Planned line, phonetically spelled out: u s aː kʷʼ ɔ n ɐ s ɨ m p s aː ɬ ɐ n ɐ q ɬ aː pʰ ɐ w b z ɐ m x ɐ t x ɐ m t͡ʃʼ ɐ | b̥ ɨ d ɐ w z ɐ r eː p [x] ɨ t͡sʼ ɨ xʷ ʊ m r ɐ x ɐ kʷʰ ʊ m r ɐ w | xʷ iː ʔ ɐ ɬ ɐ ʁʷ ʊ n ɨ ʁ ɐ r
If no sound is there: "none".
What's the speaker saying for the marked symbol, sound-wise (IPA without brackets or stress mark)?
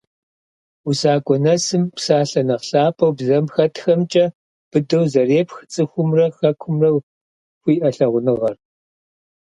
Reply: x